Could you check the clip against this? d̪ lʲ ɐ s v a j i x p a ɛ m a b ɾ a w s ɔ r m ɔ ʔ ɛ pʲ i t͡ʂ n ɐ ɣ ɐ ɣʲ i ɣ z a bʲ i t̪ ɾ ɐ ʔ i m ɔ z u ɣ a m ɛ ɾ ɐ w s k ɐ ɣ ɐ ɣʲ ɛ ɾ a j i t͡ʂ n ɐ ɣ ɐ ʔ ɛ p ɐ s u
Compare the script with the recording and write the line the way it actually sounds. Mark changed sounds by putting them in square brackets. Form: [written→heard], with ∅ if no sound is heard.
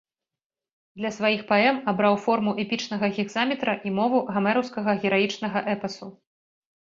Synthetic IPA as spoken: d̪ lʲ ɐ s v a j i x p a ɛ m a b ɾ a w [s→f] ɔ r m [ɔ→u] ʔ ɛ pʲ i t͡ʂ n ɐ ɣ ɐ ɣʲ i ɣ z a [bʲ→mʲ] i t̪ ɾ ɐ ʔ i m ɔ [z→v] u ɣ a m ɛ ɾ ɐ w s k ɐ ɣ ɐ ɣʲ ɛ ɾ a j i t͡ʂ n ɐ ɣ ɐ ʔ ɛ p ɐ s u